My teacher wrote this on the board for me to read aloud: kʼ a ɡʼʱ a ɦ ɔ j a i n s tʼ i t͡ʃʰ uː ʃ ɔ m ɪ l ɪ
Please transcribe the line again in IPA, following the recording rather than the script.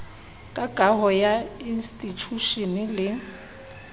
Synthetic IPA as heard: kʼ a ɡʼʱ a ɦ ɔ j a i n s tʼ i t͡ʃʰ u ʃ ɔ n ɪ l ɪ